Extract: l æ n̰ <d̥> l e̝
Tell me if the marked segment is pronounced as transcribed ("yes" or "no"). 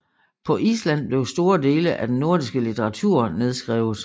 no